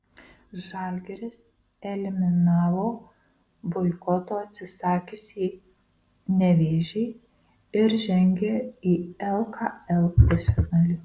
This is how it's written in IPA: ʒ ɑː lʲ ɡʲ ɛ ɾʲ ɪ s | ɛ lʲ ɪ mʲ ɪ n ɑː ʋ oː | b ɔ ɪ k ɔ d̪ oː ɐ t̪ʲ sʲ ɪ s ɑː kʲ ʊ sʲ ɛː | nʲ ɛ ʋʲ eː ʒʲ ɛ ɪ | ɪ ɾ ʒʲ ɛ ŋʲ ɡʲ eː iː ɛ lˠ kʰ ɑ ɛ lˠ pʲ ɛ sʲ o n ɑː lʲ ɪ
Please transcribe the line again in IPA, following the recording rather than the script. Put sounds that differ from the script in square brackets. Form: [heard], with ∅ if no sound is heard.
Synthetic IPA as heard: ʒ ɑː lʲ ɡʲ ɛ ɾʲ ɪ s | ɛ lʲ ɪ mʲ ɪ n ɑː ʋ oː | b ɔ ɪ k ɔ [t̪] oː ɐ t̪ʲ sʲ ɪ s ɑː kʲ ʊ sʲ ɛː | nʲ ɛ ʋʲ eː ʒʲ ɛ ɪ | ɪ ɾ ʒʲ ɛ ŋʲ ɡʲ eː iː ɛ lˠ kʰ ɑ ɛ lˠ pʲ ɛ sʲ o n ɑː lʲ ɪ